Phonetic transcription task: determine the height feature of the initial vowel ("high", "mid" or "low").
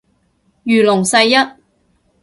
high